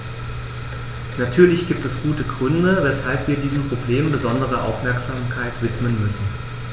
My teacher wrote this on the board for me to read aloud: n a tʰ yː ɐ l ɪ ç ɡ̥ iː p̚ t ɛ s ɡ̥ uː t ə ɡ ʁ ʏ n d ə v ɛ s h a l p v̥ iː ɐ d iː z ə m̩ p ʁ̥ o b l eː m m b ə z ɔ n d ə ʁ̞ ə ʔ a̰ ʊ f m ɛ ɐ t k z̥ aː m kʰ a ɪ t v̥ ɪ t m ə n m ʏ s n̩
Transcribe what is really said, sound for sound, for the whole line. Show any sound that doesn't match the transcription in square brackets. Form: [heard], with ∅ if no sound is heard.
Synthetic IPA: n a tʰ yː ɐ l ɪ ç ɡ̥ iː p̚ t ɛ s ɡ̥ uː t ə ɡ ʁ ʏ n d ə v ɛ s h a l p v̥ iː ɐ d iː z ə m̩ p ʁ̥ o b l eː m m b ə z ɔ n d ə ʁ̞ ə ʔ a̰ ʊ f m ɛ ɐ [∅] k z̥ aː m kʰ a ɪ t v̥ ɪ t m ə n m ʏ s n̩

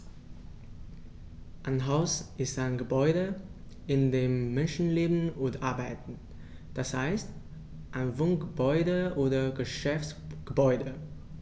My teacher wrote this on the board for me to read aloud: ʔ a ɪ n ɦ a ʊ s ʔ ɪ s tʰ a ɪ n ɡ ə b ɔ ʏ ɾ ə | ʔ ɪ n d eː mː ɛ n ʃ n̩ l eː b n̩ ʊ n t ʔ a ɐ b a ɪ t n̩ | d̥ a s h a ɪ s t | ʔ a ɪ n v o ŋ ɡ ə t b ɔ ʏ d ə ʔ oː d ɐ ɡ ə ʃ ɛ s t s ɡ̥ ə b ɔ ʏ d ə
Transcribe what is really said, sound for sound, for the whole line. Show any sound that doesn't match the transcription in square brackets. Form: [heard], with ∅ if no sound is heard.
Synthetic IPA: ʔ a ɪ n ɦ a ʊ s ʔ ɪ s [t] a ɪ n ɡ ə b ɔ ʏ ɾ ə | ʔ ɪ n d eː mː ɛ n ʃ n̩ l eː b n̩ ʊ n t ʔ a ɐ b a ɪ t n̩ | d̥ a s h a ɪ s t | ʔ a ɪ n v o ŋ ɡ ə [∅] b ɔ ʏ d ə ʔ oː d ɐ ɡ ə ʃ ɛ [f] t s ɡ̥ ə b ɔ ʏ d ə

